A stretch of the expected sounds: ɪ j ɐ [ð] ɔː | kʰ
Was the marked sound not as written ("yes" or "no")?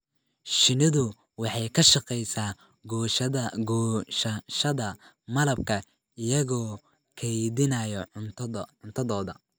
yes